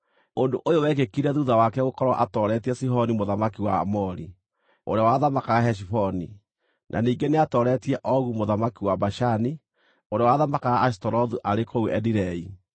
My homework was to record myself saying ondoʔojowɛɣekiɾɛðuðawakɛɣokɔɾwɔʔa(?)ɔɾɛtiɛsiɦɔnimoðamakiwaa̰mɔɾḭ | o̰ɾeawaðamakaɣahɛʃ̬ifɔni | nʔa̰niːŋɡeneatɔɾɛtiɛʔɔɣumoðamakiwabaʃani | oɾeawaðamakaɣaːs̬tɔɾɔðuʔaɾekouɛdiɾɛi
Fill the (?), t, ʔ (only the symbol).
t